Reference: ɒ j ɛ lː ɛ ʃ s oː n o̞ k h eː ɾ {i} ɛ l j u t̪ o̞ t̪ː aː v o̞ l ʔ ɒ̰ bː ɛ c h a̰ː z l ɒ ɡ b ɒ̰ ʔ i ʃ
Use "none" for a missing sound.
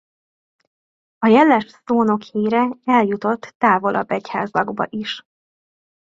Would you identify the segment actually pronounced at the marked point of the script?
ɛ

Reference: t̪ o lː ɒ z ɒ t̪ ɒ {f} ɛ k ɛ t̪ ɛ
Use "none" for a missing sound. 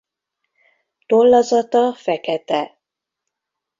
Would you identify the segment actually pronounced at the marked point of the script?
f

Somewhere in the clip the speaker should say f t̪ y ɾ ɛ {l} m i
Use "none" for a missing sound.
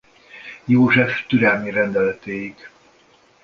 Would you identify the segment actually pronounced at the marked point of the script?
l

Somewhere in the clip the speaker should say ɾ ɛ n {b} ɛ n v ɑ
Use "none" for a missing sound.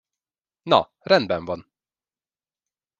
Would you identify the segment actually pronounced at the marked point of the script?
b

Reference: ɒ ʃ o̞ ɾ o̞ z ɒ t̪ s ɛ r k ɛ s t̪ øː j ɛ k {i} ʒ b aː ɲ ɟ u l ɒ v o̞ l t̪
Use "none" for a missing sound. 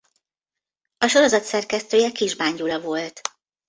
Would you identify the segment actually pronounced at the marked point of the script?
i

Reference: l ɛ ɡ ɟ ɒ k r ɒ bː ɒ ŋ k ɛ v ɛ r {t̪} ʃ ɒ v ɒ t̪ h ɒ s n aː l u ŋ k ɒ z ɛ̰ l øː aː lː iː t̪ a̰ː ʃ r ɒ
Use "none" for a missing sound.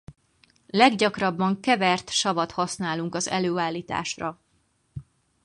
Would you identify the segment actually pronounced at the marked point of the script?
t̪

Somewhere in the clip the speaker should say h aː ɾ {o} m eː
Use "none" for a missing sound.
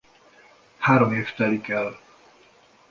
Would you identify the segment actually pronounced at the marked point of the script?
o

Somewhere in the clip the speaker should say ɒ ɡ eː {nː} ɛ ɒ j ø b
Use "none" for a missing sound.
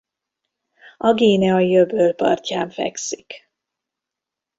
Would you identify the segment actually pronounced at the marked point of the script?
n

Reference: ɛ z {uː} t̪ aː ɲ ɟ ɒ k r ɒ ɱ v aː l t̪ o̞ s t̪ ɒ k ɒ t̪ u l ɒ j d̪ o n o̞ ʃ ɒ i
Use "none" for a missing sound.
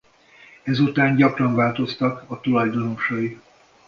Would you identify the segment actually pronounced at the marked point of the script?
u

